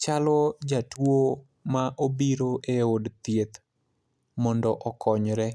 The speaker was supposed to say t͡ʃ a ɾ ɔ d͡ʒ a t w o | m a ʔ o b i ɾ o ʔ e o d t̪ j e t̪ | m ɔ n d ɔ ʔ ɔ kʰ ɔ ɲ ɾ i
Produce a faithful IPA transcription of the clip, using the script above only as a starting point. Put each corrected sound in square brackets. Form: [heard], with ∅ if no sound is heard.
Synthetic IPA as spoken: t͡ʃ a [l] ɔ d͡ʒ a t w o | m a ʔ o b i ɾ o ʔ e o d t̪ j e t̪ | m ɔ n d ɔ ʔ ɔ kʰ ɔ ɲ ɾ [ɛ]